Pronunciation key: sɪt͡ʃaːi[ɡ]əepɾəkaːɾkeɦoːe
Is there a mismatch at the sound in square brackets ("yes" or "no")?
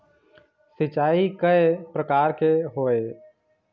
yes